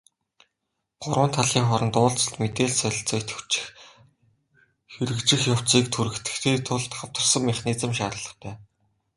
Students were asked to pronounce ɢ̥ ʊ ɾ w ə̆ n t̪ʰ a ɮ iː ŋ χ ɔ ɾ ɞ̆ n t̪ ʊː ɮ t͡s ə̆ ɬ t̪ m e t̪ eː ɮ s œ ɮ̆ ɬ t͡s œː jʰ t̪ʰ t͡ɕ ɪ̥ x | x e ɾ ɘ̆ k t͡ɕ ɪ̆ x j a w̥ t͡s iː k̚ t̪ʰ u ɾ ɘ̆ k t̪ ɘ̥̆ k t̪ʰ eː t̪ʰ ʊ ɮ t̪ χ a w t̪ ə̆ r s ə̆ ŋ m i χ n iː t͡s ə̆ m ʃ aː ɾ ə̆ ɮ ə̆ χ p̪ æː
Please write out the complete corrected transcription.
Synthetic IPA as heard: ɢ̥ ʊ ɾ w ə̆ n t̪ʰ a ɮ iː ŋ χ ɔ ɾ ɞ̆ n t̪ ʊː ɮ t͡s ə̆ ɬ t̪ m e t̪ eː ɮ s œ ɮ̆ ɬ t͡s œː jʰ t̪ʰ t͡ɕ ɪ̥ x | x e ɾ ɘ̆ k t͡ɕ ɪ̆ x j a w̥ t͡s iː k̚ t̪ʰ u ɾ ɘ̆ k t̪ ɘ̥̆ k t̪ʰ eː t̪ʰ ʊ ɮ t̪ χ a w t̪ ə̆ r s ə̆ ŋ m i χ n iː t͡s ə̆ m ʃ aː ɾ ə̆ ɮ ə̆ χ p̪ æː